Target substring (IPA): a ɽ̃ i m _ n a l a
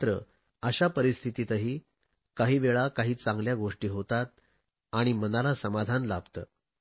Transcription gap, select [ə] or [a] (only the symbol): ə